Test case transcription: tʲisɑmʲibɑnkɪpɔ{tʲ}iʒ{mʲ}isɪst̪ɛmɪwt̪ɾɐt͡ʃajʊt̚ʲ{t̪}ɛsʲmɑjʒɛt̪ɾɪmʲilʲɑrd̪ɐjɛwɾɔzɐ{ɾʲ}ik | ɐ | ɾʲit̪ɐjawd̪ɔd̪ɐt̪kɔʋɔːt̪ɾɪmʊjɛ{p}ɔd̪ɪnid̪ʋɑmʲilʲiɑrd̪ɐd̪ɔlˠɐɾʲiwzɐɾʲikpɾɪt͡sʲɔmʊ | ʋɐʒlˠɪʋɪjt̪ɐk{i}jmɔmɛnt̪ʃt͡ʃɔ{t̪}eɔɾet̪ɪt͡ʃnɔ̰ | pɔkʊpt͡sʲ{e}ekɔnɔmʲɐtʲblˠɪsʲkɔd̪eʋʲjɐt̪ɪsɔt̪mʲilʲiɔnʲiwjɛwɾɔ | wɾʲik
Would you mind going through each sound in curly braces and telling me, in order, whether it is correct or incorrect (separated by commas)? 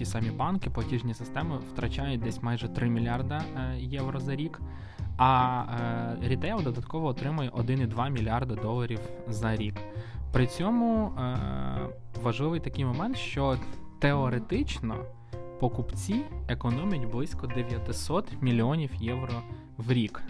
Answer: correct, incorrect, incorrect, correct, incorrect, incorrect, correct, incorrect